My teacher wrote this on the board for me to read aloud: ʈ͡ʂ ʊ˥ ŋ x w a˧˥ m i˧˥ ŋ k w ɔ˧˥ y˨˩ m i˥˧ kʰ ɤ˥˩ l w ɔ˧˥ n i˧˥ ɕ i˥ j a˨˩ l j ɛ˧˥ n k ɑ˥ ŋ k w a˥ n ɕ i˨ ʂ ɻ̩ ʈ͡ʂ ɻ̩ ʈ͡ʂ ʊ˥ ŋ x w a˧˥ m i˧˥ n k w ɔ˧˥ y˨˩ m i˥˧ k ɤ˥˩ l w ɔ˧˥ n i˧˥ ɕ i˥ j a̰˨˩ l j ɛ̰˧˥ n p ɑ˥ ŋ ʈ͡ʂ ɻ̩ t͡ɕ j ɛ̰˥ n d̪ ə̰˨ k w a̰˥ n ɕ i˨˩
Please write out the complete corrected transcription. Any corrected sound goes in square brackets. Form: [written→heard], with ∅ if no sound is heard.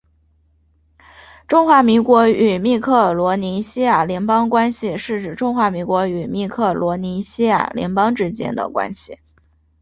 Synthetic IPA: ʈ͡ʂ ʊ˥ ŋ x w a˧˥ m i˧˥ ŋ k w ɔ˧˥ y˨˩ m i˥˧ kʰ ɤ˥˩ l w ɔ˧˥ n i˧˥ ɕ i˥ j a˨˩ l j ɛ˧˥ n [k→p] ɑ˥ ŋ k w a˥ n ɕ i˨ ʂ ɻ̩ ʈ͡ʂ ɻ̩ ʈ͡ʂ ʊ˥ ŋ x w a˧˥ m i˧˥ [n→ŋ] k w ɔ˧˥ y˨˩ m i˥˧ [k→kʰ] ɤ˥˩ l w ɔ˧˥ n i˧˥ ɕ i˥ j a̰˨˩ l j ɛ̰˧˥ n p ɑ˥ ŋ ʈ͡ʂ ɻ̩ t͡ɕ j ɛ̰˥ n d̪ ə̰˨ k w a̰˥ n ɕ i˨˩